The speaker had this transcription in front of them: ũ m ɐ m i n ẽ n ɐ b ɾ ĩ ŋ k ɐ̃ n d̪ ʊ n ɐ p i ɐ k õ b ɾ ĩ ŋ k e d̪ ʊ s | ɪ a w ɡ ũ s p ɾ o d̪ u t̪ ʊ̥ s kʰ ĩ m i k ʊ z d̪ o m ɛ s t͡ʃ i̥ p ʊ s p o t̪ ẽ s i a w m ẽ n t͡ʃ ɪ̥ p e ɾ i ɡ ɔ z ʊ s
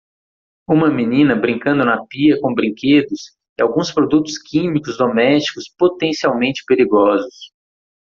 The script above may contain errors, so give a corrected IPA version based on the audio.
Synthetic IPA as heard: ũ m ɐ m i n ĩ n ɐ b ɾ ĩ ŋ k ɐ̃ n d̪ ʊ n ɐ p i ɐ k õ b ɾ ĩ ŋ k e d̪ ʊ s | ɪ a w ɡ ũ s p ɾ o d̪ u t̪ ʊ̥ s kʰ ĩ m i k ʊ z d̪ o m ɛ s t͡ʃ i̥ k ʊ s p o t̪ ẽ s i a w m ẽ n t͡ʃ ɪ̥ p e ɾ i ɡ ɔ z ʊ s